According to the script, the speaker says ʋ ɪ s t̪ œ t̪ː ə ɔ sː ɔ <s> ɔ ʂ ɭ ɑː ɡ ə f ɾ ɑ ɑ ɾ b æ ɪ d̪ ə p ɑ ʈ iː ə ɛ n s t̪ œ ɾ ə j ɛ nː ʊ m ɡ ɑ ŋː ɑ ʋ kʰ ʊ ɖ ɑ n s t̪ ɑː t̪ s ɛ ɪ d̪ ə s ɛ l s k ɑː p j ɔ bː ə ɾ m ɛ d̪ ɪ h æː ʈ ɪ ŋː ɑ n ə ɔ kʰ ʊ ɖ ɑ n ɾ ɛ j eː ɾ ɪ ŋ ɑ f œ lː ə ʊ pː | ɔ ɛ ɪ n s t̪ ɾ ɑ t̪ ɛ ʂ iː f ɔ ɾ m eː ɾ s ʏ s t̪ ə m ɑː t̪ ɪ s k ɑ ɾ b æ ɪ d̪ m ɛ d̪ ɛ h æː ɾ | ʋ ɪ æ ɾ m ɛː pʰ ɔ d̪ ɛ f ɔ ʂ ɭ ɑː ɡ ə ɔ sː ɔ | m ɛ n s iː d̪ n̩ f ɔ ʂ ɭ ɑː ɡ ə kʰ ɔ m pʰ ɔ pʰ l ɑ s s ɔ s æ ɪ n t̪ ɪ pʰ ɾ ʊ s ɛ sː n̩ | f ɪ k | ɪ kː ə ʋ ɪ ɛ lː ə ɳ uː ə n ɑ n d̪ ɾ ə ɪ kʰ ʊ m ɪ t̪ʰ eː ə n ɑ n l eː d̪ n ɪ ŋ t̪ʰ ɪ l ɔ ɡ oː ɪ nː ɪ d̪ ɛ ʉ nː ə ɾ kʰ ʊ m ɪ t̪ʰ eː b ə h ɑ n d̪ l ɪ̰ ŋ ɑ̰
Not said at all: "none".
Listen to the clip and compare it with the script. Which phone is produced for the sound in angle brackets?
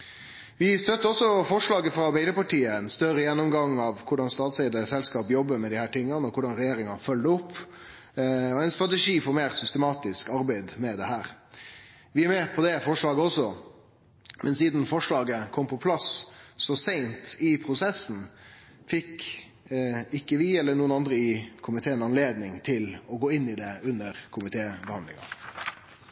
f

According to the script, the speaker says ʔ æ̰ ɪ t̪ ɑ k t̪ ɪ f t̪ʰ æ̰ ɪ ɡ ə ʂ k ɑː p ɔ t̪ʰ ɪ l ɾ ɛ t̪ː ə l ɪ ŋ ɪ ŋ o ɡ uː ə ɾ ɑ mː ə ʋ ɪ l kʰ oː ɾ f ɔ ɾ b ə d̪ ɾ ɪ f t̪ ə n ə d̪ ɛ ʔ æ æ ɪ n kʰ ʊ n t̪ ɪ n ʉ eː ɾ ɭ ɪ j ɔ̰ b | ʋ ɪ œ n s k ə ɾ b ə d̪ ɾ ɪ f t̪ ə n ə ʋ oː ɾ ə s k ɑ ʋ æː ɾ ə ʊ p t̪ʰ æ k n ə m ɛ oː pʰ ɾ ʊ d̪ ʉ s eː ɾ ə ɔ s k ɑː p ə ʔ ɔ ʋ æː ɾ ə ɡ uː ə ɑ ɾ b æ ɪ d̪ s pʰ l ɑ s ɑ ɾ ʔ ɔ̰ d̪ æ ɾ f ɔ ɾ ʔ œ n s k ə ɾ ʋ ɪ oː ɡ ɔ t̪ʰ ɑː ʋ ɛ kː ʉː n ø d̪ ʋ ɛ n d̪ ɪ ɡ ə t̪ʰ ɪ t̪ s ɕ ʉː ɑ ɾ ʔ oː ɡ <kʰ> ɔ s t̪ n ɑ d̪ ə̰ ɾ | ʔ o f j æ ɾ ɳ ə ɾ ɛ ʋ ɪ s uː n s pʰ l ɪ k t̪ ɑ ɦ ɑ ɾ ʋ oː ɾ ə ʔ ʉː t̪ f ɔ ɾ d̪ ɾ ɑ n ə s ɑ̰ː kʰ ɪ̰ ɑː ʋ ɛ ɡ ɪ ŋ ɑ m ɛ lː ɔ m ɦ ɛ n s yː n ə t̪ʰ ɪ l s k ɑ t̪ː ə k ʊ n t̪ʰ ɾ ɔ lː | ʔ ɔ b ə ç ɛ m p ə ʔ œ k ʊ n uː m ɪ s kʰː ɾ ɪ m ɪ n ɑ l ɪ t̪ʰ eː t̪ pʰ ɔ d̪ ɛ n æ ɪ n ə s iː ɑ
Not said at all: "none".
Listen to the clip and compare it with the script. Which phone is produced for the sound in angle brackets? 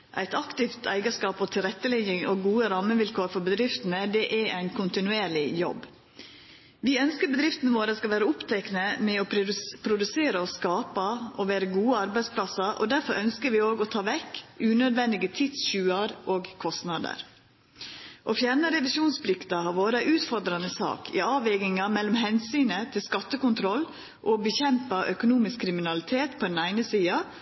kʰ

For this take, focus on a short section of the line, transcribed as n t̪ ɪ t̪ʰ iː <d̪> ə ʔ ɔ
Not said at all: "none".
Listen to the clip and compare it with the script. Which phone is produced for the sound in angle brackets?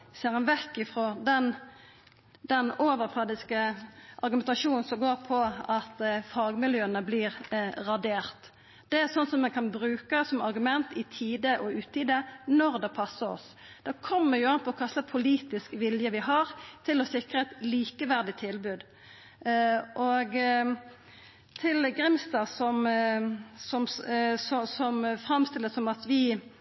d̪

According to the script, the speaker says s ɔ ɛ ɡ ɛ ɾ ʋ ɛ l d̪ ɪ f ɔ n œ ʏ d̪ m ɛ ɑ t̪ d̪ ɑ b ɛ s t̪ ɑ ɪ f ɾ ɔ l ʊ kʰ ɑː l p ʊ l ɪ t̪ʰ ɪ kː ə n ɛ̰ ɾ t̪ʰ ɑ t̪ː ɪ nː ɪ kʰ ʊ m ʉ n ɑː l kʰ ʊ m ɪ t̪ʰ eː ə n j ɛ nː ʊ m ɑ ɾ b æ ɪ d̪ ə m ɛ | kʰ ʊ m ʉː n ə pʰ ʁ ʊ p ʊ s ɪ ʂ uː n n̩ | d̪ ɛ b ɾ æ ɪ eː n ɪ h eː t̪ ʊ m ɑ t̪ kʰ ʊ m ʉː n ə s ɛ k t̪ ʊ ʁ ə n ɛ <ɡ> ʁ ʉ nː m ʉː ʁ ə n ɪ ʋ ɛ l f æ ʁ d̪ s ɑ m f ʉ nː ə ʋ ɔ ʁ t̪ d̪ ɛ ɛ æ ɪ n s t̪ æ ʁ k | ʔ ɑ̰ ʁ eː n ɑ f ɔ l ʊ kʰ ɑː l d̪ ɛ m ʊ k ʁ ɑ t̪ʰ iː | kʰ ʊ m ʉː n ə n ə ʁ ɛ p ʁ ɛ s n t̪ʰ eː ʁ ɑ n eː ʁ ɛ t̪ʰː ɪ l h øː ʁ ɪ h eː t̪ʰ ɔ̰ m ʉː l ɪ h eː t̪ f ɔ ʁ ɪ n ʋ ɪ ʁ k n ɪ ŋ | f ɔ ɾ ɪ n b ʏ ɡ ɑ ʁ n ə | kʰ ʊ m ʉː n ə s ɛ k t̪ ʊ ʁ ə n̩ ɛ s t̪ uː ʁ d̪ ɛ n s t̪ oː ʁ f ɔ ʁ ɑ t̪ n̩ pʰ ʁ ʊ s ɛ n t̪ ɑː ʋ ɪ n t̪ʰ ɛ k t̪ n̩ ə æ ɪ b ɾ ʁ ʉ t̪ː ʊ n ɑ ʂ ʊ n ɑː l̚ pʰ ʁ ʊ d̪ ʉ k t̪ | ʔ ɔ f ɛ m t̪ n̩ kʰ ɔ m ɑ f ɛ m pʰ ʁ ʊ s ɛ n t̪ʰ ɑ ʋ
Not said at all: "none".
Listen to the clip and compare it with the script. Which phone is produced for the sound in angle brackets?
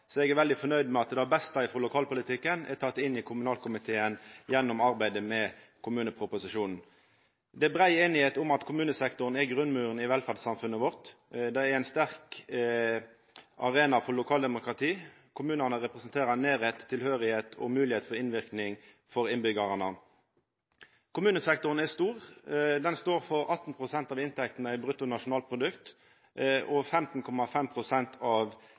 ɡ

